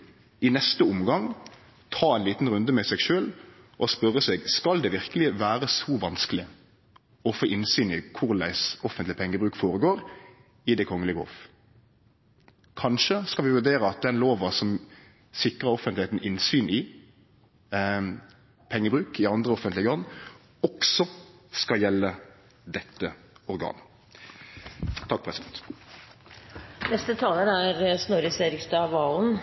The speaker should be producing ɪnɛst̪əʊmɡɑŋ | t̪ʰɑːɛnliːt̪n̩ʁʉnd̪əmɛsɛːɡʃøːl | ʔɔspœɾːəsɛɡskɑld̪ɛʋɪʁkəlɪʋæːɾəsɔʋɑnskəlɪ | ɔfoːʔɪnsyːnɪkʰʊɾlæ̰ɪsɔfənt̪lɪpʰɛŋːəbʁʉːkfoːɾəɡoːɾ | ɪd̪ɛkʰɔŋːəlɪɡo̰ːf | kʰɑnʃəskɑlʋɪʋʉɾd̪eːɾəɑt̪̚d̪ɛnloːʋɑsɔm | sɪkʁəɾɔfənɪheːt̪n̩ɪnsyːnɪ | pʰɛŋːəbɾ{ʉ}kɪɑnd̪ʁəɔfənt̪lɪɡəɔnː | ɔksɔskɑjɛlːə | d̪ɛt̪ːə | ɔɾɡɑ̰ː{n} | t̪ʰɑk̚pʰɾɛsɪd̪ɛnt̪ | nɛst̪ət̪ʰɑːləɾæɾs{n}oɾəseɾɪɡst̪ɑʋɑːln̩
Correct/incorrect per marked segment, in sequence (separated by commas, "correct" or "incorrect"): incorrect, correct, correct